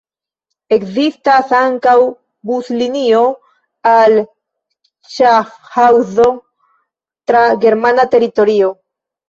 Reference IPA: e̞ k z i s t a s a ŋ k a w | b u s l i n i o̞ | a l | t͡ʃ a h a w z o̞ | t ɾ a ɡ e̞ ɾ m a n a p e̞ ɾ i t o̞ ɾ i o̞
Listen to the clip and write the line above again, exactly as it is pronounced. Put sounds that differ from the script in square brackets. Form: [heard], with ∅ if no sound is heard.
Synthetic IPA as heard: e̞ k z i s t a s a ŋ k a w | b u s l i n i o̞ | a l | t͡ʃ a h a w z o̞ | t ɾ a ɡ e̞ ɾ m a n a [t] e̞ ɾ i t o̞ ɾ i o̞